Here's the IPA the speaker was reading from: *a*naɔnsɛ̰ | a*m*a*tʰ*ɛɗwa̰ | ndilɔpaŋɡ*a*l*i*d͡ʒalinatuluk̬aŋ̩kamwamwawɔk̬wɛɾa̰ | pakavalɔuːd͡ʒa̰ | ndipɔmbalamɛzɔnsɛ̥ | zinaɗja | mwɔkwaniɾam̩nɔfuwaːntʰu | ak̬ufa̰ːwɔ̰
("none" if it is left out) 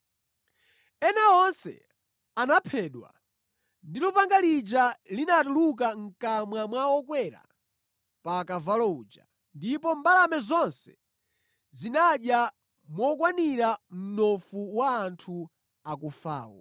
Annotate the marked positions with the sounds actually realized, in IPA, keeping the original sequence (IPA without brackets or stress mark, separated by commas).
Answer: ɛ, n, pʰ, a, i